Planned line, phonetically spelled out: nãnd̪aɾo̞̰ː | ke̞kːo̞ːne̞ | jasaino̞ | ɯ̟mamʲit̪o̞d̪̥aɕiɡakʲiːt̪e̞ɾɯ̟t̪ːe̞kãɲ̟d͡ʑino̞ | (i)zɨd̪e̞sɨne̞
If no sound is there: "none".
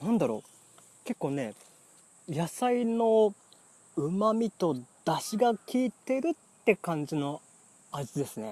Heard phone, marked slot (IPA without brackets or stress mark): a